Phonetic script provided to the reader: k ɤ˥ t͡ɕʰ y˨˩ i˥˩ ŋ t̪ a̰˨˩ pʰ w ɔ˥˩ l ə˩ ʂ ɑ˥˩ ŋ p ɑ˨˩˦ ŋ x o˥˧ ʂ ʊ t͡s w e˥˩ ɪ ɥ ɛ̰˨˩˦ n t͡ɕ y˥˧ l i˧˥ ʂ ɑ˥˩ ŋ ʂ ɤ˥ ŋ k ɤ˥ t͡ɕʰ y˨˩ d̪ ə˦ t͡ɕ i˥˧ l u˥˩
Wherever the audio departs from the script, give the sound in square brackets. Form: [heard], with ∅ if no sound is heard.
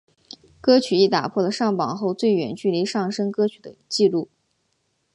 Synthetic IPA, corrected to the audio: k ɤ˥ t͡ɕʰ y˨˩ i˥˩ [∅] t̪ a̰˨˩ pʰ w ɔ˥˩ l ə˩ ʂ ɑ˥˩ ŋ p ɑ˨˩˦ ŋ x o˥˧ [∅] ʊ t͡s w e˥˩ ɪ ɥ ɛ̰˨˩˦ n t͡ɕ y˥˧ l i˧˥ ʂ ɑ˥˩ ŋ ʂ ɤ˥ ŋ k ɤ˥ t͡ɕʰ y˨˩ d̪ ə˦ t͡ɕ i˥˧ l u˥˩